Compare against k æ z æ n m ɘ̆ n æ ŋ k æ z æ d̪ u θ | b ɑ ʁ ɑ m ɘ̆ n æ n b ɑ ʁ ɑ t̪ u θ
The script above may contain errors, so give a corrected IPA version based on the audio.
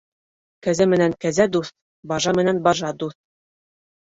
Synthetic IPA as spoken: k æ z æ m ɘ̆ n æ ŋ k æ z æ d̪ u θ | b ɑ ʒ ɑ m ɘ̆ n æ n b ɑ ʒ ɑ d̪ u θ